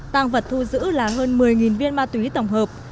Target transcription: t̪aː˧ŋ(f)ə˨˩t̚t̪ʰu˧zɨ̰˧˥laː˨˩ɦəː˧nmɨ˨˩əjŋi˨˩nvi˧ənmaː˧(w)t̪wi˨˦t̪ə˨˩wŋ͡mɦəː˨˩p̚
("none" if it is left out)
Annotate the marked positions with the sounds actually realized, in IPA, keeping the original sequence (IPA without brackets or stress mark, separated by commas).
v, none